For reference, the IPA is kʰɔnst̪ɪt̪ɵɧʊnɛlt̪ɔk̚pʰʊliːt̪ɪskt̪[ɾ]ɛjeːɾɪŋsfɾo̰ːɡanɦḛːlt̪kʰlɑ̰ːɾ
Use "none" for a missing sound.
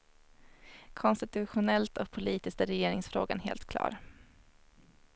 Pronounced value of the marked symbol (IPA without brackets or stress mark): ɾ